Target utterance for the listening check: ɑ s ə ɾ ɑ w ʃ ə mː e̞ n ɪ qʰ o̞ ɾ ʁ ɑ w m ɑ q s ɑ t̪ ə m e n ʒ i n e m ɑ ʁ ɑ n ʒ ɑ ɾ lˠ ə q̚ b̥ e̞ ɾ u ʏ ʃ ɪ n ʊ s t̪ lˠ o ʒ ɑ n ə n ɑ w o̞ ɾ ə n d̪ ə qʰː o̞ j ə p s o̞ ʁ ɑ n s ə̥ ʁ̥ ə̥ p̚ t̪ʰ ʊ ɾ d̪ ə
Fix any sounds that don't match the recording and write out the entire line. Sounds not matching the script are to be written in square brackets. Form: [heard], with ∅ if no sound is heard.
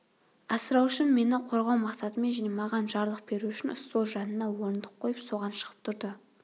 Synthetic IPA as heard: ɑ s ə ɾ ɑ w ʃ ə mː e̞ n ɪ qʰ o̞ ɾ ʁ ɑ w m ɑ q s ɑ t̪ ə m e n ʒ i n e m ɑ ʁ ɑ n ʒ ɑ ɾ lˠ ə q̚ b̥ e̞ ɾ u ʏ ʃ ɪ n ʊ s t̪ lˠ o ʒ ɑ n ə n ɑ w o̞ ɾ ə n d̪ ə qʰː o̞ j ə p s o̞ ʁ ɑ n [ʃ] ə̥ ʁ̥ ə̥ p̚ t̪ʰ ʊ ɾ d̪ ə